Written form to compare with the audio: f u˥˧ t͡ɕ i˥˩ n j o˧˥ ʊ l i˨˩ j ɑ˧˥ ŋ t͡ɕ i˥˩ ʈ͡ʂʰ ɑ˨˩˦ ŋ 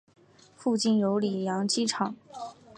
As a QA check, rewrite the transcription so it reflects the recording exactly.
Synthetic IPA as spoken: f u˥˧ t͡ɕ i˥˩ n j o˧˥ ʊ l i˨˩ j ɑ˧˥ ŋ t͡ɕ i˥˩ ʈ͡ʂʰ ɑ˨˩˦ ŋ

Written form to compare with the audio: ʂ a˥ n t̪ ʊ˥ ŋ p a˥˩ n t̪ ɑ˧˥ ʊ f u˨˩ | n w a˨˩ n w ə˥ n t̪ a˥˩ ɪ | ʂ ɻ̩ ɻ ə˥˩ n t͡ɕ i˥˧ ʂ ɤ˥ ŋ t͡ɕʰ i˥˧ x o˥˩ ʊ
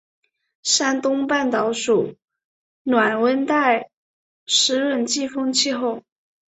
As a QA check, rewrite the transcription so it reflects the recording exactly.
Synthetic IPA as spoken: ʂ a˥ n t̪ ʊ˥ ŋ p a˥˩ n t̪ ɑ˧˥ ʊ ʂ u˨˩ | n w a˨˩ n w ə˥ n t̪ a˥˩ ɪ | ʂ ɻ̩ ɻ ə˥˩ n t͡ɕ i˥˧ f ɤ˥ ŋ t͡ɕʰ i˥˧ x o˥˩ ʊ

